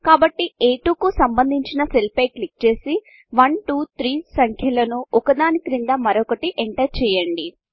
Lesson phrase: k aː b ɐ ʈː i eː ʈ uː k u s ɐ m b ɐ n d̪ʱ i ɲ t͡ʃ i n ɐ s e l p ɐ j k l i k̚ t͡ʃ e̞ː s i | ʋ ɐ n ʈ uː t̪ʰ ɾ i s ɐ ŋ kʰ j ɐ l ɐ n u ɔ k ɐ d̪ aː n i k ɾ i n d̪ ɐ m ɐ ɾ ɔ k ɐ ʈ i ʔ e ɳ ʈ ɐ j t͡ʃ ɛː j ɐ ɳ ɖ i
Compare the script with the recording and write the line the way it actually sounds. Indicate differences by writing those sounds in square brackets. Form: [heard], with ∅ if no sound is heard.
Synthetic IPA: k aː b ɐ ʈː i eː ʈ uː k u s ɐ m b ɐ n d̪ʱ i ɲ t͡ʃ i n ɐ s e l p ɐ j k l i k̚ t͡ʃ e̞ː s i | ʋ ɐ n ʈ uː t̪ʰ ɾ [iː] s ɐ ŋ kʰ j ɐ l ɐ n u ɔ k ɐ d̪ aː n i k ɾ i n d̪ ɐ m ɐ ɾ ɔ k ɐ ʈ i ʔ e ɳ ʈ ɐ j t͡ʃ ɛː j ɐ ɳ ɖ i